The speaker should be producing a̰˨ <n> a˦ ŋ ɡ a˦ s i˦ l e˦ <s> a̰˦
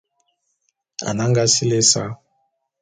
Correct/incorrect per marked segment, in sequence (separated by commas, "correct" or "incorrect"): correct, correct